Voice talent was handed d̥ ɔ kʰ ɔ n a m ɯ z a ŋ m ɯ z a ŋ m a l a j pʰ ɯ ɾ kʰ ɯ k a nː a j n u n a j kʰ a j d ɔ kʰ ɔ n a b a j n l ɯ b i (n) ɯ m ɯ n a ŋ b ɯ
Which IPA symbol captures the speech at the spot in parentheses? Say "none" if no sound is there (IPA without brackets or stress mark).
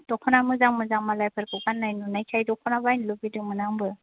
d